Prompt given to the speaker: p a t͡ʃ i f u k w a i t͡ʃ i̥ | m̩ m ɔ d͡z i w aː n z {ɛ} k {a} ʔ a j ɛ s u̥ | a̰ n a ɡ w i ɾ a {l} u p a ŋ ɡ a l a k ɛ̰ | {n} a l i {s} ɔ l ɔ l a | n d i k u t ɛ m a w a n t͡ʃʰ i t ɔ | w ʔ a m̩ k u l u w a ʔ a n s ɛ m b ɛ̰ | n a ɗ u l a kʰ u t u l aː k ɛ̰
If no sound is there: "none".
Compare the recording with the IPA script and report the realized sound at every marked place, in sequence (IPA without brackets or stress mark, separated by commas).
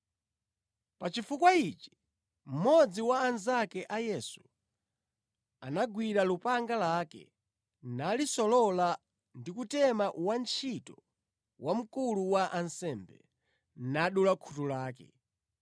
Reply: a, ɛ, l, n, s